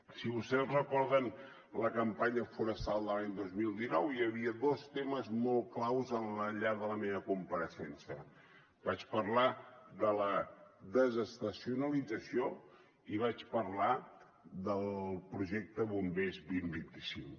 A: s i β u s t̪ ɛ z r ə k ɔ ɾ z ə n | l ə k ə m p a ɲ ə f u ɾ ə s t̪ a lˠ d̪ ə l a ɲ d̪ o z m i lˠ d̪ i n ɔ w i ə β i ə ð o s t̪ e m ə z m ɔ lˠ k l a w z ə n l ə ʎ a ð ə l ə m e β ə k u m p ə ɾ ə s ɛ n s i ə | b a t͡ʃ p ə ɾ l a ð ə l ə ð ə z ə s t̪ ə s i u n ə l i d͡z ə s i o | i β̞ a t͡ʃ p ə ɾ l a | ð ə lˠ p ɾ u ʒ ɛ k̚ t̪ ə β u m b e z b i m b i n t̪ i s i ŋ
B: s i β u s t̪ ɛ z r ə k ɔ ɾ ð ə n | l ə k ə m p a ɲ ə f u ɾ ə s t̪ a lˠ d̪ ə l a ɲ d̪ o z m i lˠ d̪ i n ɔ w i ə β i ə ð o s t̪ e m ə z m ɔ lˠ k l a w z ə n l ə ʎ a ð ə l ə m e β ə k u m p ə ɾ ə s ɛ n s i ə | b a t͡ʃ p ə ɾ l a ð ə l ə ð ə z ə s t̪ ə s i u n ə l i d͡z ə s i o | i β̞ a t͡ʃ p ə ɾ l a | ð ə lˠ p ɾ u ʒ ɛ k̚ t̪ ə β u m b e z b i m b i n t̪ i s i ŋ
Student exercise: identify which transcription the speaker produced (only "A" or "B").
B